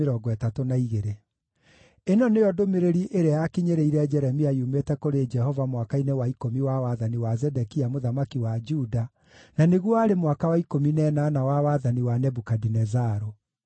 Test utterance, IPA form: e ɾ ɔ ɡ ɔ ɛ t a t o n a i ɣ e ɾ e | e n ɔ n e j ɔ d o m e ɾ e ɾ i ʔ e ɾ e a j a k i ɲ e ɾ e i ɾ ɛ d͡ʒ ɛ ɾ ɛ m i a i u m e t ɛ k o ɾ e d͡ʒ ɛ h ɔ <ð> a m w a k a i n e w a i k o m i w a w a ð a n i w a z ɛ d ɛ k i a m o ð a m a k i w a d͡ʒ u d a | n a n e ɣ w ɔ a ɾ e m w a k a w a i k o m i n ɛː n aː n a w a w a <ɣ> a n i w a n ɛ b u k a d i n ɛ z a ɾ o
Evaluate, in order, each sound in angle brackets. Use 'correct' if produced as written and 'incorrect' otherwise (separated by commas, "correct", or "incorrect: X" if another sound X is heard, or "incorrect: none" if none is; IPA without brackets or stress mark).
incorrect: v, incorrect: ð